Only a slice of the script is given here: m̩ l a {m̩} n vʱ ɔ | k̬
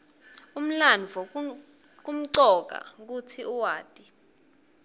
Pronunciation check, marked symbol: incorrect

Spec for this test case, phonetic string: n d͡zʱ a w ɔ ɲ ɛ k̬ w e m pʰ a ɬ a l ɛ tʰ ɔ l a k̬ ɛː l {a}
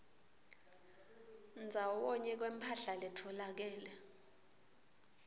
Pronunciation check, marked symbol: incorrect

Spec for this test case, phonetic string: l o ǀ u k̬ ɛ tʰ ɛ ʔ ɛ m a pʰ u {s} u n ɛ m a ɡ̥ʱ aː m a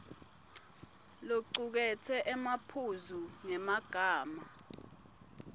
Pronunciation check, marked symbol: incorrect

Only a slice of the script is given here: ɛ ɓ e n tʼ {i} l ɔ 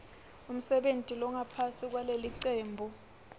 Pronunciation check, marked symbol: correct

